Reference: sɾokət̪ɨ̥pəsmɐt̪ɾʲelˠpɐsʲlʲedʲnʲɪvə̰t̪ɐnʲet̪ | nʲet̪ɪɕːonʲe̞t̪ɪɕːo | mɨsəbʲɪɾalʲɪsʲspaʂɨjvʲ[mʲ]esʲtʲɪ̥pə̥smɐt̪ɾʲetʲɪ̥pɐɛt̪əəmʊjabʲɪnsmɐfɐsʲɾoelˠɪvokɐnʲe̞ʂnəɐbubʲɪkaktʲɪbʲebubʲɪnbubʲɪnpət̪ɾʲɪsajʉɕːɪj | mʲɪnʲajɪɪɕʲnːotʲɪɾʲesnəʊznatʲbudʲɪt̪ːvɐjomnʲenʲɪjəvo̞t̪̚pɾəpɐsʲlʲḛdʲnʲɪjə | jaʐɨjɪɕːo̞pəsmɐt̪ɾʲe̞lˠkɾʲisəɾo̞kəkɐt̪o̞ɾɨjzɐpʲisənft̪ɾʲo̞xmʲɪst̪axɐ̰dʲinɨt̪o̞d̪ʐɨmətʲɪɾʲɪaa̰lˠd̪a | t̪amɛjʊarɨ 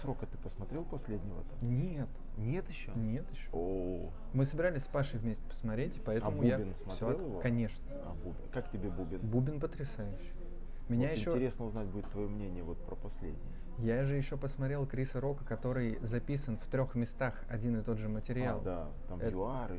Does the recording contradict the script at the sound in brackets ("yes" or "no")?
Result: no